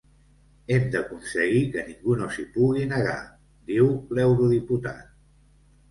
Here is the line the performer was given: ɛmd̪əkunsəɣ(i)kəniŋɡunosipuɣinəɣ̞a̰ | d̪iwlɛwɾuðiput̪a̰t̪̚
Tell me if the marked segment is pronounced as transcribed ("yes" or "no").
yes